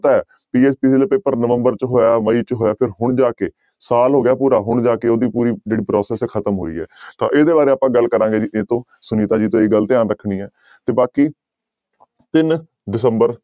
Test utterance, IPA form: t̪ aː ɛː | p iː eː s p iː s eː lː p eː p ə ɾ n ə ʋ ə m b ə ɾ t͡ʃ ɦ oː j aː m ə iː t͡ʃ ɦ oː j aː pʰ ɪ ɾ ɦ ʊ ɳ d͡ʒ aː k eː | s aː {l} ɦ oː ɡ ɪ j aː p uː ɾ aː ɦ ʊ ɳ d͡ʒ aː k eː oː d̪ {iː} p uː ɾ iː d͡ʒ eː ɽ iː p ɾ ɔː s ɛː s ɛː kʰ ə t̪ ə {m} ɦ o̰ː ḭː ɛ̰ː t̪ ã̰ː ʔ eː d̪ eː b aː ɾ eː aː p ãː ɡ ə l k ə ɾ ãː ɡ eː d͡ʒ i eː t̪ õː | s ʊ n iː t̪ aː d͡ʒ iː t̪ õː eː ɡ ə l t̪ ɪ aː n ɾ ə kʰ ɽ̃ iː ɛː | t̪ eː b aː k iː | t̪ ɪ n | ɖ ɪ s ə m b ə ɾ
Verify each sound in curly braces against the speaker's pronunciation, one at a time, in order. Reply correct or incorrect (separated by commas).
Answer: correct, correct, correct